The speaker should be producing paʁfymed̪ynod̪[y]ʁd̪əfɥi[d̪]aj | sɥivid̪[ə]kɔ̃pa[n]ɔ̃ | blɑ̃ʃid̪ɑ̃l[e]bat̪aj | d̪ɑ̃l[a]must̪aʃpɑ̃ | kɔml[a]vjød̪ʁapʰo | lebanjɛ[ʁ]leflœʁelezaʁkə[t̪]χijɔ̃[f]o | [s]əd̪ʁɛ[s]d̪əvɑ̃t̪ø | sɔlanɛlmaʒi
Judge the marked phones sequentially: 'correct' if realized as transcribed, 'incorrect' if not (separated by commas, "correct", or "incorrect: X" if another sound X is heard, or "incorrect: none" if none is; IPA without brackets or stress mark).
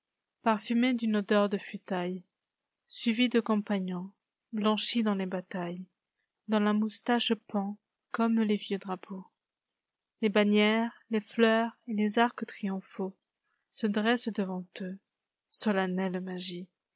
incorrect: œ, incorrect: t̪, correct, incorrect: ɲ, correct, correct, incorrect: e, correct, correct, correct, correct, correct